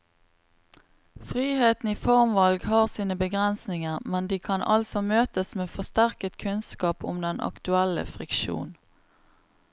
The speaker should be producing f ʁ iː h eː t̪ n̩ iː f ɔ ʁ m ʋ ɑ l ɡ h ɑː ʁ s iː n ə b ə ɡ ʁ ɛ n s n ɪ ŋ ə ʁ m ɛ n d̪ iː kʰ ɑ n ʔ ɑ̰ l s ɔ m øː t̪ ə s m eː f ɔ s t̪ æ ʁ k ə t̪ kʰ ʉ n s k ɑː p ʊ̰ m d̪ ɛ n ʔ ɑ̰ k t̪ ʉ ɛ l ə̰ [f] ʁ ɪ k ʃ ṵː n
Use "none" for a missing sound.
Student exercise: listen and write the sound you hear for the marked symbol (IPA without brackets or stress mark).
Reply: f